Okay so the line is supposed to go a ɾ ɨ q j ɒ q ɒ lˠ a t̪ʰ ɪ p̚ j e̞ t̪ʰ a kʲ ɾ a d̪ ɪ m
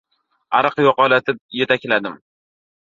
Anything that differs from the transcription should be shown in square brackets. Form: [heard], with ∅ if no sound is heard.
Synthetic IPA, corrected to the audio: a ɾ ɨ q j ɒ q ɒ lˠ a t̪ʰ ɪ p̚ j e̞ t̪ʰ a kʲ [l] a d̪ ɪ m